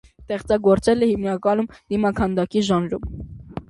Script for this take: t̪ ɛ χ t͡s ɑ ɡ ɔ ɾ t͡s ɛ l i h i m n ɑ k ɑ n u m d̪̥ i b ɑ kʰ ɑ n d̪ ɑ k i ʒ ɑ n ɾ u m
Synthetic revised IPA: t̪ ɛ χ t͡s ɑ ɡ ɔ ɾ t͡s ɛ l ɛ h i m n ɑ k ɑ n u m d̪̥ i m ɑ kʰ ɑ n d̪ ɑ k i ʒ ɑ n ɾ u m